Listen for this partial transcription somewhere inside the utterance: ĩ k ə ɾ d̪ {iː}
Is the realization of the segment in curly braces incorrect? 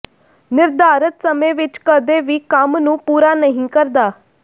yes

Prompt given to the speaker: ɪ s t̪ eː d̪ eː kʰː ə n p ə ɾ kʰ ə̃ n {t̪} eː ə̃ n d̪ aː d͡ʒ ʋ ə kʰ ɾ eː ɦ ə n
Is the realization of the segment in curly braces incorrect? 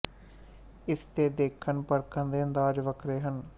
yes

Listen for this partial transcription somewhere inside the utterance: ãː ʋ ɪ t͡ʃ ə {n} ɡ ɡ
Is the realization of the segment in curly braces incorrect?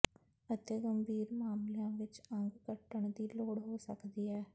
yes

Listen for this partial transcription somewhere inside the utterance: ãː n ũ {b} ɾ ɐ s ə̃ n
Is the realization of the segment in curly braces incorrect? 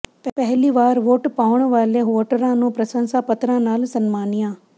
yes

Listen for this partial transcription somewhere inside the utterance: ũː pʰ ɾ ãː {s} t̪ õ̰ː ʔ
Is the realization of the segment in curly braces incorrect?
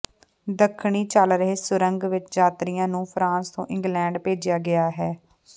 no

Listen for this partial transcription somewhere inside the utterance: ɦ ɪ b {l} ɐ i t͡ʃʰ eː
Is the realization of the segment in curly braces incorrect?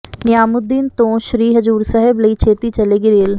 no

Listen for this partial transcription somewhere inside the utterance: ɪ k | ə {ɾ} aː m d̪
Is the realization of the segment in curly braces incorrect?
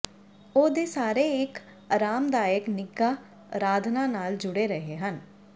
no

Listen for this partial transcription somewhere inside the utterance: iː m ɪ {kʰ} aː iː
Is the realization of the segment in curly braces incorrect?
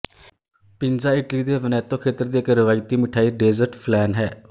yes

